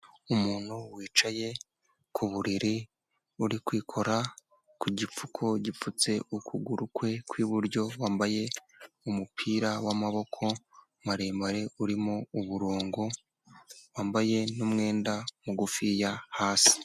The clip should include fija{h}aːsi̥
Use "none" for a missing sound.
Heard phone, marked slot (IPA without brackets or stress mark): h